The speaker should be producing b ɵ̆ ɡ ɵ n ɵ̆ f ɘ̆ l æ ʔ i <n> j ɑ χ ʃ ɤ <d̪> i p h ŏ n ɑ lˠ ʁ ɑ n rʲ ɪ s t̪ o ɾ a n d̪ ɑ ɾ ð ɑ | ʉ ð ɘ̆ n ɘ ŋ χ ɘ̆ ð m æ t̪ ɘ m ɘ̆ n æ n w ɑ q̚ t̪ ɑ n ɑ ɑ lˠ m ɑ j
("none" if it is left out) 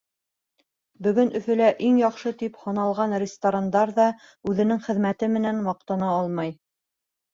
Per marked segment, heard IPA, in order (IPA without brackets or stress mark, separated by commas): ŋ, t̪